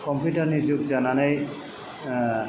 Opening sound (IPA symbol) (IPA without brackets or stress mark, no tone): k